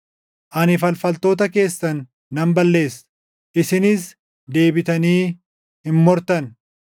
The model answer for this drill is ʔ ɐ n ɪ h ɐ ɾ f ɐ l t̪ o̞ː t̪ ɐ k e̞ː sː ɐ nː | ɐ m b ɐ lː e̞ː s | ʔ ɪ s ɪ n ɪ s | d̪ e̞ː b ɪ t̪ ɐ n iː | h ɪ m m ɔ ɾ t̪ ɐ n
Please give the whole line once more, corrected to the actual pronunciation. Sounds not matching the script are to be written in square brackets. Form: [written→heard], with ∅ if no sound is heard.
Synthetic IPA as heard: ʔ ɐ n ɪ [h→f] ɐ [ɾ→l] f ɐ l t̪ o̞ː t̪ ɐ k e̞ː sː ɐ nː | ɐ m b ɐ lː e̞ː s | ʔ ɪ s ɪ n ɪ s | d̪ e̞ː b ɪ t̪ ɐ n iː | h ɪ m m ɔ ɾ t̪ ɐ n